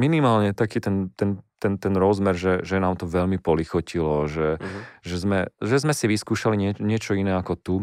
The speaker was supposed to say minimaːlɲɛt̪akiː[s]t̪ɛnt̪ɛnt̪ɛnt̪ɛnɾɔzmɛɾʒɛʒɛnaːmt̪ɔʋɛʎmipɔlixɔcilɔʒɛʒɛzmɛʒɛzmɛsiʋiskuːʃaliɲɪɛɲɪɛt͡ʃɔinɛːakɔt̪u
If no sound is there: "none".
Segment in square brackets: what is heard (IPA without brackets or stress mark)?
none